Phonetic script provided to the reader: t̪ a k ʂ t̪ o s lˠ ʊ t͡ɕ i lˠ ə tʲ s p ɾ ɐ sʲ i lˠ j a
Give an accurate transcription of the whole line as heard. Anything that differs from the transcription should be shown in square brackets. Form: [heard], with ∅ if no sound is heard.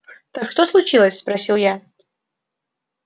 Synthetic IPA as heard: t̪ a k ʂ t̪ o s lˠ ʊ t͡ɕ i lˠ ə [sʲ] s p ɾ ɐ sʲ i lˠ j a